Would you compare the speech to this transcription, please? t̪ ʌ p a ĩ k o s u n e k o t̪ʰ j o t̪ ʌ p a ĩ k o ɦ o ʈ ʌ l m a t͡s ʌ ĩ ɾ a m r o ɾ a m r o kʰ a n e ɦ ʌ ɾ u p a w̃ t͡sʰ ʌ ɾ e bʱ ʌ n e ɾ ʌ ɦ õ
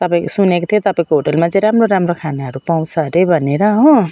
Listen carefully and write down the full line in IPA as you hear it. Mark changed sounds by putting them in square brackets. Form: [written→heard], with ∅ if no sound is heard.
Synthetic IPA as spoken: t̪ ʌ p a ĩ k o s u n e k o t̪ʰ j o t̪ ʌ p a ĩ k o ɦ o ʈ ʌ l m a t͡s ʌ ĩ ɾ a m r o ɾ a m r o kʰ a n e ɦ ʌ ɾ u p a w̃ t͡sʰ ʌ ɾ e bʱ ʌ n e ɾ ʌ ɦ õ